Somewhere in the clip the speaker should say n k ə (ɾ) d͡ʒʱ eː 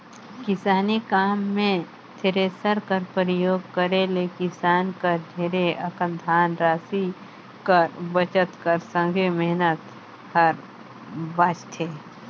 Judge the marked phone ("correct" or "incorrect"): correct